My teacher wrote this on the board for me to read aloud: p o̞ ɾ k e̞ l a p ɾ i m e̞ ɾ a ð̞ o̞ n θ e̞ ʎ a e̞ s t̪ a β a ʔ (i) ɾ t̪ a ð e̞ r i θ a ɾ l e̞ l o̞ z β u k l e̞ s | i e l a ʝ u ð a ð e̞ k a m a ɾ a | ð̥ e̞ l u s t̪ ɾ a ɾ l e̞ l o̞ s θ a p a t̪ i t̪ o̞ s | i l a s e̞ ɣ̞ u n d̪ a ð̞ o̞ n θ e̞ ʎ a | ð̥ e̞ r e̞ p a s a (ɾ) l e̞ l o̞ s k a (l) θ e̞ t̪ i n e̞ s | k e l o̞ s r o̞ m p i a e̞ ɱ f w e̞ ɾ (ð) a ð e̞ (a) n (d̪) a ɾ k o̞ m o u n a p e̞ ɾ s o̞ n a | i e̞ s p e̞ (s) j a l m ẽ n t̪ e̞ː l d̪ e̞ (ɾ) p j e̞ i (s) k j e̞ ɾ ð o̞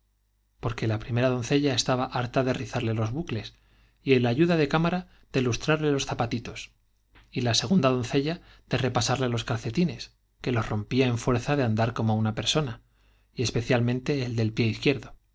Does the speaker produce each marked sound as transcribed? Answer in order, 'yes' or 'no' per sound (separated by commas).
no, yes, no, no, yes, yes, no, no, no